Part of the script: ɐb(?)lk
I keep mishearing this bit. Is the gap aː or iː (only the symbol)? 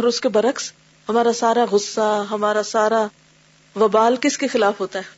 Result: aː